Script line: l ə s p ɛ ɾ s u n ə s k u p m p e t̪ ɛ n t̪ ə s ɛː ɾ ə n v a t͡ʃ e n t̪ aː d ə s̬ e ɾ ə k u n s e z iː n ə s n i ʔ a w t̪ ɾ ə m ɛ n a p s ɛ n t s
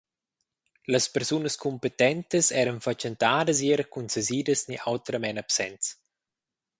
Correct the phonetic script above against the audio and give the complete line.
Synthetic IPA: l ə s p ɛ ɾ s u n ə s k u m p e t̪ ɛ n t̪ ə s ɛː ɾ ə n f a t͡ʃ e n t̪ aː d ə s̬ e ɾ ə k u n s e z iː d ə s n i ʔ a w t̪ ɾ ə m ɛ n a p s ɛ n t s